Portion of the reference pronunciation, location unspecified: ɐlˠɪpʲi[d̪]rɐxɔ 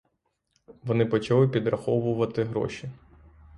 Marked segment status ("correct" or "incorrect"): correct